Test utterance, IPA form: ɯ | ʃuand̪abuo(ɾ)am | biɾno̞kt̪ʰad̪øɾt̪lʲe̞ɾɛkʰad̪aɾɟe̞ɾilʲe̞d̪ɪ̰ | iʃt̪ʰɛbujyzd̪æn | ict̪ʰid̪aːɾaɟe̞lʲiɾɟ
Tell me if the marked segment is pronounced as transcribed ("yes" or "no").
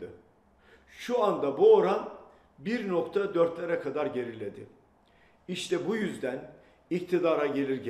yes